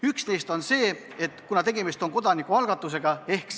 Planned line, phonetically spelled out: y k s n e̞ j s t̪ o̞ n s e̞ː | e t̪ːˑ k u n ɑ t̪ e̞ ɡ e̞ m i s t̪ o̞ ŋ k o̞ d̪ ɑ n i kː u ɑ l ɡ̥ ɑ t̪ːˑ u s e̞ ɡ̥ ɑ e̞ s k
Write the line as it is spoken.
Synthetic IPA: y k s n e̞ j s t̪ o̞ n s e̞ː | e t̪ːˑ k u n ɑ t̪ e̞ ɡ e̞ m i s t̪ o̞ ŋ k o̞ d̪ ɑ n i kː u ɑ l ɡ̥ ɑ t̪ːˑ u s e̞ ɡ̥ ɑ e̞ h k